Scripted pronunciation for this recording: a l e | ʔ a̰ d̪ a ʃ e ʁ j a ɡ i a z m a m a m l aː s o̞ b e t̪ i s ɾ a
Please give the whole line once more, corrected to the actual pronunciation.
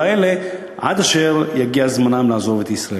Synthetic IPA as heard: e l e | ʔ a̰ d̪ a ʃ e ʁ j a ɡ i a z m a n a m l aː z o̞ v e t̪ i s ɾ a

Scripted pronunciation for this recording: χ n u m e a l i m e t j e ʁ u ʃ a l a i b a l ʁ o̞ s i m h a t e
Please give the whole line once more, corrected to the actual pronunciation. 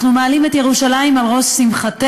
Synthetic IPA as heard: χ n u m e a l i m e t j e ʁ u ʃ a l a i m a l ʁ o̞ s i m χ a t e

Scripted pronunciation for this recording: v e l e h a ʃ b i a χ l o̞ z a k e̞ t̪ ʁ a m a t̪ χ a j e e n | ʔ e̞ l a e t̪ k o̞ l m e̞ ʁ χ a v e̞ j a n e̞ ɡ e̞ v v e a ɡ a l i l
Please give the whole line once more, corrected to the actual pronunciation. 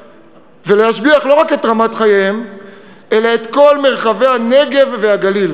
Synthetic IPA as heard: v e l e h a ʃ b i a χ l o̞ ʁ a k e̞ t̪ ʁ a m a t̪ χ a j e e m | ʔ e̞ l a e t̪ k o̞ l m e̞ ʁ χ a v e̞ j a n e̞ ɡ e̞ v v e a ɡ a l i l

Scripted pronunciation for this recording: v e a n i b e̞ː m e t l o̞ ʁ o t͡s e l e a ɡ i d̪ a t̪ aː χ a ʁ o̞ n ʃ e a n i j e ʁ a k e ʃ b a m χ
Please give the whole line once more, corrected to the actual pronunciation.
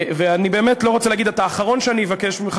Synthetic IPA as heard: v e a n i b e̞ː m e t l o̞ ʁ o t͡s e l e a ɡ i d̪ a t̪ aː χ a ʁ o̞ n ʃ e a n i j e v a k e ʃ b i m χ

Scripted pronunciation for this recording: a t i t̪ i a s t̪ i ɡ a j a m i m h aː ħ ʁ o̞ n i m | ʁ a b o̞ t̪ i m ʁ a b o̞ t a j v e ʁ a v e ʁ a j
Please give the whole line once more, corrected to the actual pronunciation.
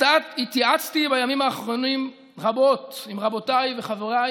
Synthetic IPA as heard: a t i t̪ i a t͡s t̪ i b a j a m i m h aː χ ʁ o̞ n i m | ʁ a b o̞ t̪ i m ʁ a b o̞ t a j v e χ a v e ʁ a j

